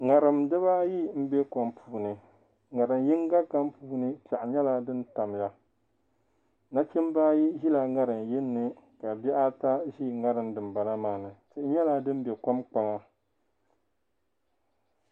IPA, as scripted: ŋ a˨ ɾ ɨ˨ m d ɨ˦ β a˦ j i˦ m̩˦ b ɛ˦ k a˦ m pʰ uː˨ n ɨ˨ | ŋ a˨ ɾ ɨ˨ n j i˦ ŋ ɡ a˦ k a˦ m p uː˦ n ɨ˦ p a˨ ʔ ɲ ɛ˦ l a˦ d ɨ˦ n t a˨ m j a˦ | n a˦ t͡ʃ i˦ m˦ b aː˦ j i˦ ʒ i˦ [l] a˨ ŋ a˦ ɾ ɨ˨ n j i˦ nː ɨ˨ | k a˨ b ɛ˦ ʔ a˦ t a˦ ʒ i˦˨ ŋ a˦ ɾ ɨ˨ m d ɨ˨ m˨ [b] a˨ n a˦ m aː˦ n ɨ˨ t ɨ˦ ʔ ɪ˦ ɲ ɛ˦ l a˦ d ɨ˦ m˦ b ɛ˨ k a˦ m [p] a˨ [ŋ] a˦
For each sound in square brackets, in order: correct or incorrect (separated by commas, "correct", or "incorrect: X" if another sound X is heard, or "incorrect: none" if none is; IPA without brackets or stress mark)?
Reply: correct, correct, incorrect: k͡p, correct